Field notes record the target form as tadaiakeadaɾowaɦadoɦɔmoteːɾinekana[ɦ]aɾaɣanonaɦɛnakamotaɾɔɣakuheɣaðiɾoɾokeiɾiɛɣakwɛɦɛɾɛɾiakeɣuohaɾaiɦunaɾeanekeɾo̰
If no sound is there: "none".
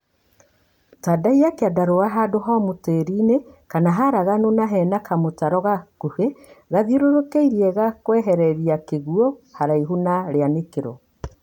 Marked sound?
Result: ɦ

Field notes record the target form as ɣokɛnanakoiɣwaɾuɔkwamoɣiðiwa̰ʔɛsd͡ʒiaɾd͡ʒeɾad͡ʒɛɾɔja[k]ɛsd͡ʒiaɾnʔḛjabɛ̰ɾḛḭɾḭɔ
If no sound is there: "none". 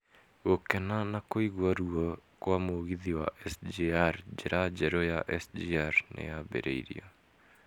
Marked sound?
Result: ʔ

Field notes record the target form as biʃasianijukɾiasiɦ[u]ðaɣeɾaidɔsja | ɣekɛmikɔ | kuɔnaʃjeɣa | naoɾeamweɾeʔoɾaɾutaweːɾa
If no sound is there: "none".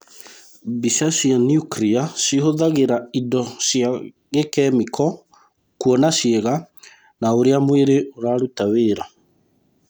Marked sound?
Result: o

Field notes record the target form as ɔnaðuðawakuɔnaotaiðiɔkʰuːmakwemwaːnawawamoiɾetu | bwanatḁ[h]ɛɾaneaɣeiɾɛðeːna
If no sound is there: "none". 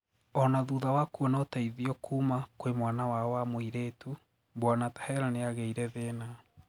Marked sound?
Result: h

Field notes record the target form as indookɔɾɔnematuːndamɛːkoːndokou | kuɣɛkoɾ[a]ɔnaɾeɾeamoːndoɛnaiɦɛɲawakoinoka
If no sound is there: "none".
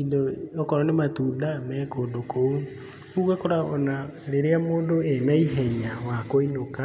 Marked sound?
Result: a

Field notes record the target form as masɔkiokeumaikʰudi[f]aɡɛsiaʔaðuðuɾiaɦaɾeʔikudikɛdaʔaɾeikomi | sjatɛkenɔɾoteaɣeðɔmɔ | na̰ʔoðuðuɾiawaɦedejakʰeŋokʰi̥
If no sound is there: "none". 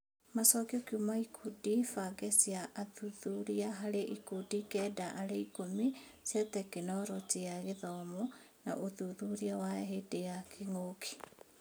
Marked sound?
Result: f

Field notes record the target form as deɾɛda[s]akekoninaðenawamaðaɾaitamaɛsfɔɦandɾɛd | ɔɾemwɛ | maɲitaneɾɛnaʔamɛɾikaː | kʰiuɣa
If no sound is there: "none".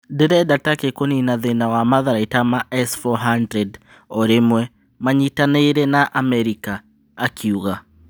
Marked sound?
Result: t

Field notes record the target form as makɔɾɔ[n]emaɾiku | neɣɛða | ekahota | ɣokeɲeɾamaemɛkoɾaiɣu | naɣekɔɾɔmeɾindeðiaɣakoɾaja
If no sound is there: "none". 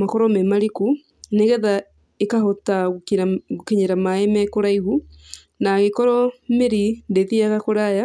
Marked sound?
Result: m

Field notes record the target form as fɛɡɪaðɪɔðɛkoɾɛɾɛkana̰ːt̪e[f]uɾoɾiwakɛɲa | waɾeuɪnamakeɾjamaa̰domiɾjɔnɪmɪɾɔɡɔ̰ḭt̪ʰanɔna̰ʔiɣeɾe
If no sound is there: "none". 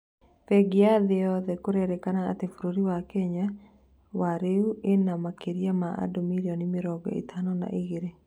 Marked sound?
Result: f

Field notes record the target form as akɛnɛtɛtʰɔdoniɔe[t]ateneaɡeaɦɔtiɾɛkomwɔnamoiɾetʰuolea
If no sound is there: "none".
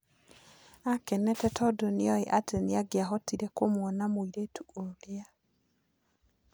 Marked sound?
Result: ʔ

